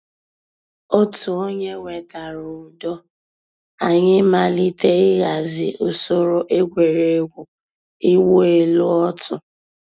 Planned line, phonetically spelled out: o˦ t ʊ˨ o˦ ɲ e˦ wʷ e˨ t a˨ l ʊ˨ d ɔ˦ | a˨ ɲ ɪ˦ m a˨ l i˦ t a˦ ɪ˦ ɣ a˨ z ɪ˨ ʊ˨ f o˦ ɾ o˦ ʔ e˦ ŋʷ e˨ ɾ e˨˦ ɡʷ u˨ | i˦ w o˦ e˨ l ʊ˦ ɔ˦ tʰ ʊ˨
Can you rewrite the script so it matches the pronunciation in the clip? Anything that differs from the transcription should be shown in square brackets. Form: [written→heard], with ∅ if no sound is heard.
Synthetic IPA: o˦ t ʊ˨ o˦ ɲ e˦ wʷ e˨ t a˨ [l→ɾ] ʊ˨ d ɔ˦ | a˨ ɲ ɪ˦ m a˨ l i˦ t [a˦→e˦] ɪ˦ ɣ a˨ z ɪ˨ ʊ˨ [f→s] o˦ ɾ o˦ ʔ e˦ [ŋʷ→ɡʷ] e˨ ɾ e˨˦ ɡʷ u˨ | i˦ w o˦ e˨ l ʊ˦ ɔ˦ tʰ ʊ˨